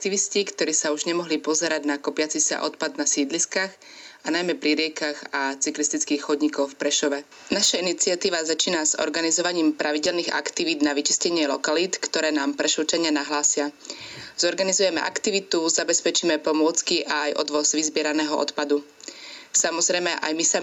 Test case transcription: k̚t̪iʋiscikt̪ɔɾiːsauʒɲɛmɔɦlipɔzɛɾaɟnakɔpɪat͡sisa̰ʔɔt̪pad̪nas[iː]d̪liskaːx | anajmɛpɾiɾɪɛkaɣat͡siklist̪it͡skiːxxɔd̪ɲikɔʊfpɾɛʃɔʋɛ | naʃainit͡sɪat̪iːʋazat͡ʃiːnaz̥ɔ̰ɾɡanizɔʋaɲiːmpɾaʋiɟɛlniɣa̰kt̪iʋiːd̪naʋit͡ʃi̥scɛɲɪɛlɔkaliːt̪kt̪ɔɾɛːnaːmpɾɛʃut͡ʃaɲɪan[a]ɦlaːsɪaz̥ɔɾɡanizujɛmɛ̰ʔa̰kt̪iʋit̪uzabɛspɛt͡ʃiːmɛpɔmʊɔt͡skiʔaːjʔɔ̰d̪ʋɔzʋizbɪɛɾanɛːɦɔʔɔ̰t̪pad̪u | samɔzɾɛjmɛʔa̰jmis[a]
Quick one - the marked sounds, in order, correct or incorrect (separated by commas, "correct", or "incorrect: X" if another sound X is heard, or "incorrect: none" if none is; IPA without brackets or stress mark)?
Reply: correct, correct, correct